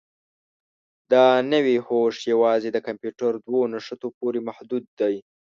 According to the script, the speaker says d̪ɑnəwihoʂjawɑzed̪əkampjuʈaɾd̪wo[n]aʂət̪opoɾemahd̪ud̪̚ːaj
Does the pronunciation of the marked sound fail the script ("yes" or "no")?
no